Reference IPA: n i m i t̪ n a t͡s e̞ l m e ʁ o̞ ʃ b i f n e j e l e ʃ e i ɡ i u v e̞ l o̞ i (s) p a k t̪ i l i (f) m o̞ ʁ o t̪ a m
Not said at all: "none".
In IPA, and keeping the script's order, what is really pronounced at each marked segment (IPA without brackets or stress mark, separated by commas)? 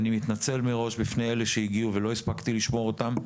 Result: s, ʃ